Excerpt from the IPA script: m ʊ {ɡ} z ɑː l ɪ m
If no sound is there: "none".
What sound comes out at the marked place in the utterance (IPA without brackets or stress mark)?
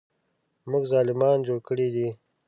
ɡ